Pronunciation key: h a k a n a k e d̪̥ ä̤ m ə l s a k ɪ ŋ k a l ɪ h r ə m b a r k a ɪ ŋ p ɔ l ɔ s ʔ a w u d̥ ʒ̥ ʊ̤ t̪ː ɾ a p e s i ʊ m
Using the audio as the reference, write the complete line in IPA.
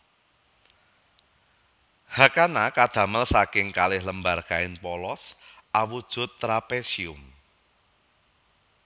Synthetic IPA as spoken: h a k a n a k a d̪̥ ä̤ m ə l s a k ɪ ŋ k a l ɪ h l ə m b a r k a ɪ n p ɔ l ɔ s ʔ a w u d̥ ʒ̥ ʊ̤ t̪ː ɾ a p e s i ʊ m